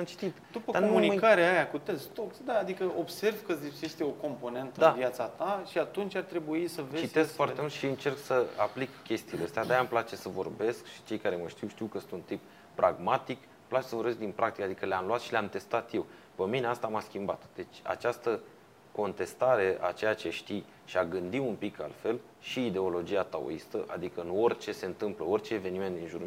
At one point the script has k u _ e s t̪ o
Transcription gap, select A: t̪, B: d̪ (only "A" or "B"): A